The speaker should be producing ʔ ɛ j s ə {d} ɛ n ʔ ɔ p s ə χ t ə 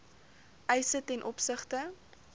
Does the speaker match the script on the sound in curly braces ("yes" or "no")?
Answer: no